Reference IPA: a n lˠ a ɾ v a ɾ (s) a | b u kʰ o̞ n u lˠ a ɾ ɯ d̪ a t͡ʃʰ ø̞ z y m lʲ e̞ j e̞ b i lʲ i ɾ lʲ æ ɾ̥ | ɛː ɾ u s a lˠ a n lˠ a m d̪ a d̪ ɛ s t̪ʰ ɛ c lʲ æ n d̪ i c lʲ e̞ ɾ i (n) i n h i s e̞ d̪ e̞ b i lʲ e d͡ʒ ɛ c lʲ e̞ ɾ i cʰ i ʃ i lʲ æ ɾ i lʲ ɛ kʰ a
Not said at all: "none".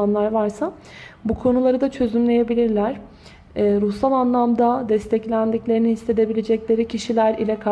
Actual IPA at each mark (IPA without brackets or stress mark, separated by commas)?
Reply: s, n